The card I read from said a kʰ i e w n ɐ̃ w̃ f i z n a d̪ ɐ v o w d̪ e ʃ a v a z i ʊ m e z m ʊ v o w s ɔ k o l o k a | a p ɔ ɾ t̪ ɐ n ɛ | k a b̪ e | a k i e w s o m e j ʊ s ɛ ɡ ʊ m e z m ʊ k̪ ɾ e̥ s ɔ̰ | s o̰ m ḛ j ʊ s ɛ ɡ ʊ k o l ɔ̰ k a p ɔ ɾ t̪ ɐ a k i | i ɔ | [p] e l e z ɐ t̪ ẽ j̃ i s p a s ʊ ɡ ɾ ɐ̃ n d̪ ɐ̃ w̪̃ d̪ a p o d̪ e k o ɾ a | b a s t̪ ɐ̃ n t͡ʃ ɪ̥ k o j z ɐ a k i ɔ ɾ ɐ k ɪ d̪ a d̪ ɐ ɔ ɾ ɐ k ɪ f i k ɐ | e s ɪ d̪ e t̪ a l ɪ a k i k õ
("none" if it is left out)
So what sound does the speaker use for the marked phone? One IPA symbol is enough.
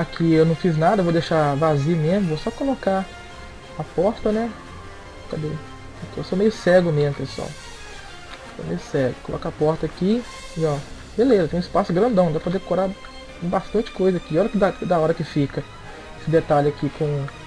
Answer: b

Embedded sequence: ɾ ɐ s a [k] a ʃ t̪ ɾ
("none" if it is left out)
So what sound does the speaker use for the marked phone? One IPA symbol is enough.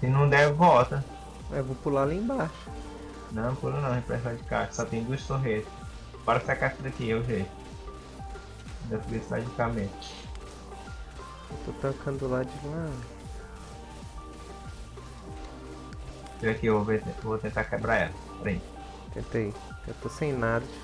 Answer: k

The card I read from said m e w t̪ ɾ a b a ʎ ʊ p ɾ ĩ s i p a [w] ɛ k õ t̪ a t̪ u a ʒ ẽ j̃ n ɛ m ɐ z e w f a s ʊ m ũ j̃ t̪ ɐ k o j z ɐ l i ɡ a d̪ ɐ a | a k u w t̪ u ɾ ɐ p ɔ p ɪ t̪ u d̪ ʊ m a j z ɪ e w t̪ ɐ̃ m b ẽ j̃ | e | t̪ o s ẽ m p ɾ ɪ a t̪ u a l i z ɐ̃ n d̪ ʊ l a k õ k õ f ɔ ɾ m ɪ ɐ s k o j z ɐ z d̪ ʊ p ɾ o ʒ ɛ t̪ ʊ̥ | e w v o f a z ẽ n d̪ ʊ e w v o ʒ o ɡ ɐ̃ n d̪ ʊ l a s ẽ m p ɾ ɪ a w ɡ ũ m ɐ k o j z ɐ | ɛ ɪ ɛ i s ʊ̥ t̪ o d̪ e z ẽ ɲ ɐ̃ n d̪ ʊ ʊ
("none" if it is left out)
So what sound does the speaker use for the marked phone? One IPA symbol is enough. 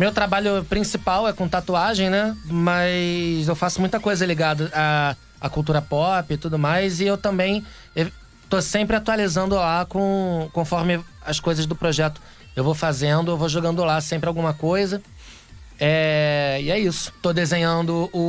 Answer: w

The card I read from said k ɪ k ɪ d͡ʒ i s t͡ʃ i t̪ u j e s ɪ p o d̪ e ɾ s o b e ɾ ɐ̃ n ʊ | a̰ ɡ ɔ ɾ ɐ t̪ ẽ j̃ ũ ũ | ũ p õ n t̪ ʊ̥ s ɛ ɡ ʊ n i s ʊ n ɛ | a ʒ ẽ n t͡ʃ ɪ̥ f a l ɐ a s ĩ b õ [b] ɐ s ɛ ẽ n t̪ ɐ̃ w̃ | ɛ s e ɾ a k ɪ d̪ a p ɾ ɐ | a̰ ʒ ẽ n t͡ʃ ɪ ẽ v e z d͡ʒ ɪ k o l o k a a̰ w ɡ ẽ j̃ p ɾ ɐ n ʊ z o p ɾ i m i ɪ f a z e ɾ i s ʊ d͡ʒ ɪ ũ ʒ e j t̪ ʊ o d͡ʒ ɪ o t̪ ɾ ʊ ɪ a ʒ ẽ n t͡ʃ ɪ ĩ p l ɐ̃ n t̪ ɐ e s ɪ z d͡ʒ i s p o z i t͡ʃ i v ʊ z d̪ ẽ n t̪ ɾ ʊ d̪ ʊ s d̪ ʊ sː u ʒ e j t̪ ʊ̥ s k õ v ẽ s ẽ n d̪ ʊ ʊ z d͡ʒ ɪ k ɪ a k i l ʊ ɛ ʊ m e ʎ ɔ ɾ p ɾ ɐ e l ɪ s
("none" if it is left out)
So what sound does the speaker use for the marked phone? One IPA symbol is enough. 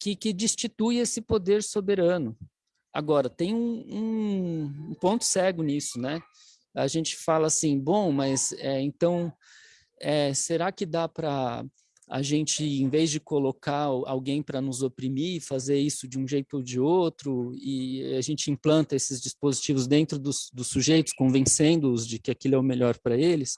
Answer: m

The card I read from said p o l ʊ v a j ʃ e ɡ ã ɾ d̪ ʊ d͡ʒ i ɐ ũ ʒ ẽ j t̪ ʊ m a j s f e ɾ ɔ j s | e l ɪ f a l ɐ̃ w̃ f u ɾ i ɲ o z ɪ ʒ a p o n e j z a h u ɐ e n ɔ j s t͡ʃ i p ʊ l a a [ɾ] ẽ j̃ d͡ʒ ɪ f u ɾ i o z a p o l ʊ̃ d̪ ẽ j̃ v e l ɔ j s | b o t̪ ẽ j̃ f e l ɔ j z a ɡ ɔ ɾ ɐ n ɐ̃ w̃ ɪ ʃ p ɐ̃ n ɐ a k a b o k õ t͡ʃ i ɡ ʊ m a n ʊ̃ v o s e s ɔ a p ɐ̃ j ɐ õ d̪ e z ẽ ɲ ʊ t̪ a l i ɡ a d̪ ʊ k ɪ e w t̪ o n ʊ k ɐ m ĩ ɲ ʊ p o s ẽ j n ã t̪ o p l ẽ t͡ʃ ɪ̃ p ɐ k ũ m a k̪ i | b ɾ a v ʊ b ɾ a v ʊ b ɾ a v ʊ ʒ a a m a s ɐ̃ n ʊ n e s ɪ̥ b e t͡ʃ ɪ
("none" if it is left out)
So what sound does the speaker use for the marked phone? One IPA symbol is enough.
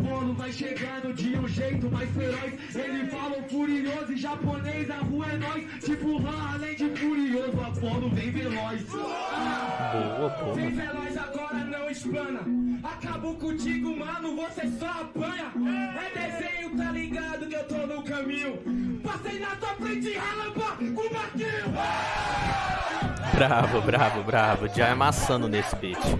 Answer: l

